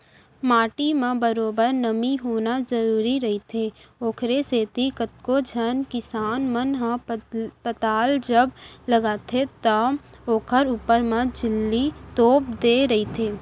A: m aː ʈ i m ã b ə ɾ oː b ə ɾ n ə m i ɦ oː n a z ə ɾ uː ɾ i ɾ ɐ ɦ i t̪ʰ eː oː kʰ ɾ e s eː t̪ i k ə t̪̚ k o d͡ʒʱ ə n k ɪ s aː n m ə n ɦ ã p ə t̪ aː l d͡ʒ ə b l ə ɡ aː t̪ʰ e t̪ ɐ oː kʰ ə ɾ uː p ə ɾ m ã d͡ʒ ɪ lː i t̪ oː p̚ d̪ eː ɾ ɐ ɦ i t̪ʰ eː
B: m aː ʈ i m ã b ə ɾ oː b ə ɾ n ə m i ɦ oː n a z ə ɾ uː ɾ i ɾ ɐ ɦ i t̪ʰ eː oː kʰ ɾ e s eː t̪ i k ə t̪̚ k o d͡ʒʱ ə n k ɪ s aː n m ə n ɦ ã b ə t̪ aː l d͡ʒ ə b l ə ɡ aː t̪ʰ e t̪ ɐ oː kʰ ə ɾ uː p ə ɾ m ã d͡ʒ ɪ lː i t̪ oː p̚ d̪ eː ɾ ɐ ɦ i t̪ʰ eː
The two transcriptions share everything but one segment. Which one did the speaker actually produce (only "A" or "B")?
A